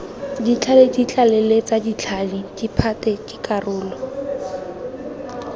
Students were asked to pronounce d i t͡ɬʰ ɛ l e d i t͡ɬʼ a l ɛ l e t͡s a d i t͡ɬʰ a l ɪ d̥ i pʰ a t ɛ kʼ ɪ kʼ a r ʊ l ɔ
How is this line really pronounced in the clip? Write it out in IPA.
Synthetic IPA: d i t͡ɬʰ a l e d i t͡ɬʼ a l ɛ l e t͡s a d i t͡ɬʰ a l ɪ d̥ i pʰ a t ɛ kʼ ɪ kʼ a r ʊː l ɔ